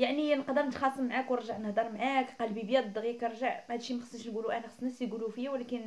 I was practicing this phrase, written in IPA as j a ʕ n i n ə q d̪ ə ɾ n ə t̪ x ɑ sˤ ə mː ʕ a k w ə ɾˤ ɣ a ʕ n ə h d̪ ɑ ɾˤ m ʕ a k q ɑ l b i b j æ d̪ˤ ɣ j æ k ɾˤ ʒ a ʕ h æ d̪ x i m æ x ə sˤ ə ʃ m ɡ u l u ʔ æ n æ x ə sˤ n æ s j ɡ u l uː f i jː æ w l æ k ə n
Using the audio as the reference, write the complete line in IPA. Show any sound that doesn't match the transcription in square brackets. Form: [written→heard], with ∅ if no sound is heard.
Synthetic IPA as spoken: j a ʕ n i n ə q d̪ ə ɾ n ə t̪ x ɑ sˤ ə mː ʕ a k w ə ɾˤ [ɣ→ʒ] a ʕ n ə h d̪ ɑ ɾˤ m ʕ a k q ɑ l b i b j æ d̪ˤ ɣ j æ k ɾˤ ʒ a ʕ h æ d̪ [x→ʃ] i m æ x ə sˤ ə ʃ [m→n] ɡ u l u ʔ æ n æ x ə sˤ n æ s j ɡ u l [uː→u] f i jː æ w l æ k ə n